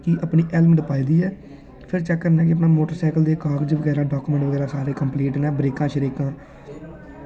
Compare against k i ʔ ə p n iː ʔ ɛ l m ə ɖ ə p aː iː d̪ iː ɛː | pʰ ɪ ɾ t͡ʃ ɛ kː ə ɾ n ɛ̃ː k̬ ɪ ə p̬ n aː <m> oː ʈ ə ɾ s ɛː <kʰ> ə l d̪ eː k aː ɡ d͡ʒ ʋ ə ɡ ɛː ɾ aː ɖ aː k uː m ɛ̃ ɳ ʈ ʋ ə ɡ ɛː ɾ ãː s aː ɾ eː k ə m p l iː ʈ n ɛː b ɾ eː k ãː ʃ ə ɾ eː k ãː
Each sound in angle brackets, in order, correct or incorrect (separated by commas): correct, incorrect